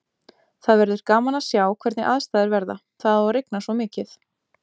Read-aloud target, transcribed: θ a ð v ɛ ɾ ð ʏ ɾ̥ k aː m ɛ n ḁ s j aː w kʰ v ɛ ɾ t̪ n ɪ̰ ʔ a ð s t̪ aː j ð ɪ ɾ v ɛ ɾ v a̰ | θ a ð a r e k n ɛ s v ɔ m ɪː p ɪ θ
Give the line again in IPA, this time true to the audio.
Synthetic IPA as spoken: θ a ð v ɛ ɾ ð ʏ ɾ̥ k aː m a n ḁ s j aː w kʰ v ɛ ɾ t̪ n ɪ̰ ʔ a ð s t̪ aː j ð ɪ ɾ v ɛ ɾ ð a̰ | θ a ð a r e k n a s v ɔ m ɪː c ɪ θ